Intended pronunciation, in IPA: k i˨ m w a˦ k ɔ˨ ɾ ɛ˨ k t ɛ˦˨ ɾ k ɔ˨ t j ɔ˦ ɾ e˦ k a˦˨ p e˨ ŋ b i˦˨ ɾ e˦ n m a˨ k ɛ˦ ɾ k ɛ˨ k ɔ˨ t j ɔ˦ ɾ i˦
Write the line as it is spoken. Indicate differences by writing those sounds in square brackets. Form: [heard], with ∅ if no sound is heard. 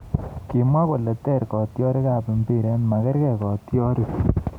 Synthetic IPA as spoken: k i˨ m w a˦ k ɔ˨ [l] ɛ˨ [∅] t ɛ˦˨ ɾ k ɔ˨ t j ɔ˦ ɾ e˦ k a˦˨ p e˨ [m] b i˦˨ ɾ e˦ n m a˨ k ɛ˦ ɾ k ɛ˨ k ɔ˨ t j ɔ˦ ɾ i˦